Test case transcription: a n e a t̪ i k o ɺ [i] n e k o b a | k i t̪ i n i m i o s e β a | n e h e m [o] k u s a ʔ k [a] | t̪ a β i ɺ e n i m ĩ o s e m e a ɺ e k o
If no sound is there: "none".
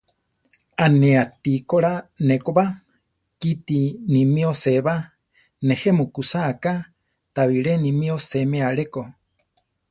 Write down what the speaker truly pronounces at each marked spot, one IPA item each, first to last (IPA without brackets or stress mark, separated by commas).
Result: a, u, a